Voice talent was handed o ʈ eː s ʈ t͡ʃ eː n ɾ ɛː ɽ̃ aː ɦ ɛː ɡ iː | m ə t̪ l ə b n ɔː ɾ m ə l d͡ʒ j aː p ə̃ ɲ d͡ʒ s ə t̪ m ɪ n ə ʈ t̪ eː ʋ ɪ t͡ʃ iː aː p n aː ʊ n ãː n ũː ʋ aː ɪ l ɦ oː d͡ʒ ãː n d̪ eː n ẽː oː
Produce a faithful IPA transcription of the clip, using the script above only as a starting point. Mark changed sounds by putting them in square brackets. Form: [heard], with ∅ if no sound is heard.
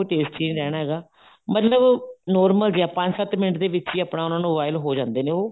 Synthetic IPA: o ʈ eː s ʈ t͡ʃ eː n ɾ ɛː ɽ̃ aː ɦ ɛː ɡ [aː] | m ə t̪ l ə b n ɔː ɾ m ə l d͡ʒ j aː p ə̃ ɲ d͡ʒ s ə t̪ m ɪ n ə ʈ [d̪] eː ʋ ɪ t͡ʃ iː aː p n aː ʊ n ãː n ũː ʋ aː ɪ l ɦ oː d͡ʒ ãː n d̪ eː n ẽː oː